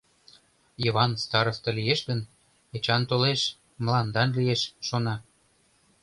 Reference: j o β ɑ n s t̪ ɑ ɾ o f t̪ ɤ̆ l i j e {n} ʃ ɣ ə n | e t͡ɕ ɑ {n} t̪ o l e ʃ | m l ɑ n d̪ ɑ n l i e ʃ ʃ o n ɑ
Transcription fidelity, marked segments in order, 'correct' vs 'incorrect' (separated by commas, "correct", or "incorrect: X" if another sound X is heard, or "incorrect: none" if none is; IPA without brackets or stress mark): incorrect: none, correct